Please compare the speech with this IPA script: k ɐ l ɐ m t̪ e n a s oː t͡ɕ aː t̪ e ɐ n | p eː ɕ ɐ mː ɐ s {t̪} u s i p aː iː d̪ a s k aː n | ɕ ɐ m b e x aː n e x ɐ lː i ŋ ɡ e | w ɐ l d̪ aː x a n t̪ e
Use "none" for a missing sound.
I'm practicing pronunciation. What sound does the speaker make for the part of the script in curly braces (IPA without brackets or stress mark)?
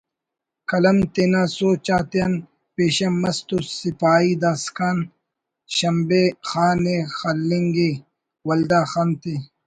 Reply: t̪